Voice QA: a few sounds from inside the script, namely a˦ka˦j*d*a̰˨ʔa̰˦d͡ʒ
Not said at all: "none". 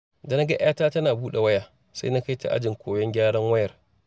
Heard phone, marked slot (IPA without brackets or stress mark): t